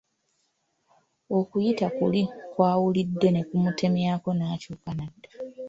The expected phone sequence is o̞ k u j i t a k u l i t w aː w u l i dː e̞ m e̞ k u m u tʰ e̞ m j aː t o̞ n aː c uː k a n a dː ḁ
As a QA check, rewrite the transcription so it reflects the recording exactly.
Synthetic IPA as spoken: o̞ k u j i t a k u l i k w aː w u l i dː e̞ n e̞ k u m u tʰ e̞ m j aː k o̞ n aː c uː k a n a dː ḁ